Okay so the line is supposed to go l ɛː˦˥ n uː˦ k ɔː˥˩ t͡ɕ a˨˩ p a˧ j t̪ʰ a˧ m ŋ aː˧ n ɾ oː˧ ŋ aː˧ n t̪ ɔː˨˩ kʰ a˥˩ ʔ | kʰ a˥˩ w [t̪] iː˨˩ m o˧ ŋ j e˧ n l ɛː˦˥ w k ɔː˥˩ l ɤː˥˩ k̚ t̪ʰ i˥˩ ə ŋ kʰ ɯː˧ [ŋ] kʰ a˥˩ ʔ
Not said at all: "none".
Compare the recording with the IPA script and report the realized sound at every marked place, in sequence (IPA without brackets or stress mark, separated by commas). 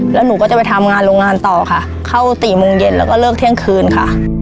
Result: t̪, n